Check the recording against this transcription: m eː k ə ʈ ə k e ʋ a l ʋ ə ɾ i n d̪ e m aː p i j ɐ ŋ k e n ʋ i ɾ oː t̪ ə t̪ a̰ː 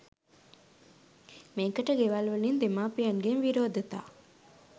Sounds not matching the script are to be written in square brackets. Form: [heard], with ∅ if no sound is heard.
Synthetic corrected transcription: m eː k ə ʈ ə [ɡ] e ʋ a l ʋ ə [l] i n d̪ e m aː p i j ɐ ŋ [ɡ] e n ʋ i ɾ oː [d̪] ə t̪ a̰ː